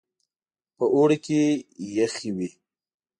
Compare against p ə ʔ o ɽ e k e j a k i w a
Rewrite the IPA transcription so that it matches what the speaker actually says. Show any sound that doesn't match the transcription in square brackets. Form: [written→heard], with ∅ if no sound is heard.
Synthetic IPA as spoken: p ə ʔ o ɽ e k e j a [k→x] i w [a→i]